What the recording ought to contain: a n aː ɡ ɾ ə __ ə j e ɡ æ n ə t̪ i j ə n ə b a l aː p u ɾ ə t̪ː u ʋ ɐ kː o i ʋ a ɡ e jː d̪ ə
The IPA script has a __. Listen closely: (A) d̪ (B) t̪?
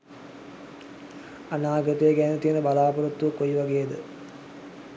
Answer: B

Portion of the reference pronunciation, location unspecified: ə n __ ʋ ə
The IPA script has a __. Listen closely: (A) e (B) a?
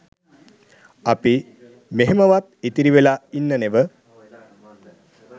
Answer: A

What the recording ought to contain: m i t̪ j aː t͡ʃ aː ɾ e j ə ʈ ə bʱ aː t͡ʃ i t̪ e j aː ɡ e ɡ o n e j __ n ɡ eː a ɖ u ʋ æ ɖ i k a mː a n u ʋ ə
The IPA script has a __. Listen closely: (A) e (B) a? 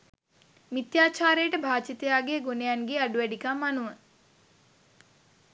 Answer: B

